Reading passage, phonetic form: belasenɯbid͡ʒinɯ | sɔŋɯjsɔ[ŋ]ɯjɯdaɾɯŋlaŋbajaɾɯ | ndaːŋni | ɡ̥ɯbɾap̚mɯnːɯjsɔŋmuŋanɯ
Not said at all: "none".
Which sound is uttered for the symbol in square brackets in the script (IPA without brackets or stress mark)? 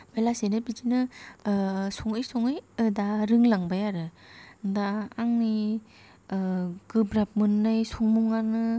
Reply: ŋ